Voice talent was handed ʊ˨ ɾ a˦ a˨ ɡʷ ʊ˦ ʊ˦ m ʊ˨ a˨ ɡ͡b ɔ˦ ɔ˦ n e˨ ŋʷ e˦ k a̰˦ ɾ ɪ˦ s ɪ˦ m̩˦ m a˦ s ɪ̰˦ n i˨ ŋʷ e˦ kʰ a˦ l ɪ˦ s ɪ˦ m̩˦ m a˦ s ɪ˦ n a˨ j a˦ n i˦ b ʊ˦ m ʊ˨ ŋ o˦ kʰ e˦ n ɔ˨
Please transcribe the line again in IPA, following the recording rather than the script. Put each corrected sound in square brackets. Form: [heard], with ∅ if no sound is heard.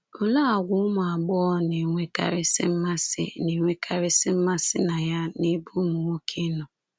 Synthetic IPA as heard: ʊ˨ [l] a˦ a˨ ɡʷ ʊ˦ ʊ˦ m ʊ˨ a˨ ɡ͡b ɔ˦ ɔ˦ n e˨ ŋʷ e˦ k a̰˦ ɾ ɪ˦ s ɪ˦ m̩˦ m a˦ s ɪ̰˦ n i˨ ŋʷ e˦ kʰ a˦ [ɾ] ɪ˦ s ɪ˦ m̩˦ m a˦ s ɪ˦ n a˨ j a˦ n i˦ b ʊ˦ m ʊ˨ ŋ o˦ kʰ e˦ n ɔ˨